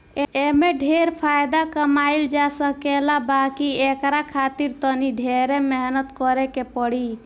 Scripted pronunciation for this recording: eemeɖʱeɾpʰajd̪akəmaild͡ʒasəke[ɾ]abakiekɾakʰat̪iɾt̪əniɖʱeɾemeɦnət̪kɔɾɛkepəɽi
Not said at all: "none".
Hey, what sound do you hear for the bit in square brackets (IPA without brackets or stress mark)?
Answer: l